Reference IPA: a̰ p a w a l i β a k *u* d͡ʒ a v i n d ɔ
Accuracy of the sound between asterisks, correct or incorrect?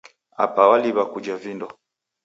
correct